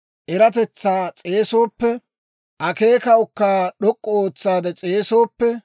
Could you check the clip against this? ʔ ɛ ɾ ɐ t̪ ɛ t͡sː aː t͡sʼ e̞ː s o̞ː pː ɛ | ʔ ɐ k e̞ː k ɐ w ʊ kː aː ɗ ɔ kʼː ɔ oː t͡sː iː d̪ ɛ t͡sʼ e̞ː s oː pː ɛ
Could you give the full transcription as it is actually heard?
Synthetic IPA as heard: ʔ ɛ ɾ ɐ t̪ ɛ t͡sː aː t͡sʼ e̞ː s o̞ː pː ɛ | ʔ ɐ k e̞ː k ɐ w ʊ kː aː ɗ ɔ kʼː ɔ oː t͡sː aː d̪ ɛ t͡sʼ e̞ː s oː pː ɛ